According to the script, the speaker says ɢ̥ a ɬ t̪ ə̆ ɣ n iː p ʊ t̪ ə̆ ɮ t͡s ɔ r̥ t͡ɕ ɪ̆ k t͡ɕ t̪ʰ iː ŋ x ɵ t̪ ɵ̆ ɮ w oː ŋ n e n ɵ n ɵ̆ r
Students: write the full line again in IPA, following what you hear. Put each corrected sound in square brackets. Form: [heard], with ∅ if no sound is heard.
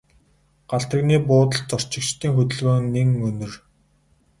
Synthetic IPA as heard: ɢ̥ a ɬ t̪ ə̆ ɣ n iː p [ʊː] t̪ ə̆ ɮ t͡s ɔ r̥ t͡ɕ ɪ̆ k t͡ɕ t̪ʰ iː ŋ x ɵ t̪ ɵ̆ ɮ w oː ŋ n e [ŋ] ɵ n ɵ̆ r